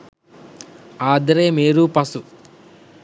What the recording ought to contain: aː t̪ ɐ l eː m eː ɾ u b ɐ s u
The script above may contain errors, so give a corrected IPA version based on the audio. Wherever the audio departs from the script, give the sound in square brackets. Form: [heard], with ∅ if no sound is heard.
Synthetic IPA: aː [d̪] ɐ [ɾ] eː m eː ɾ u [p] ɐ s u